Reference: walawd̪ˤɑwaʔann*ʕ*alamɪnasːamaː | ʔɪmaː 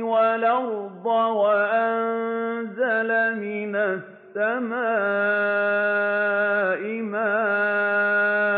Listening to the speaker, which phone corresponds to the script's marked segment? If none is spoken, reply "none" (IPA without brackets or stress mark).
z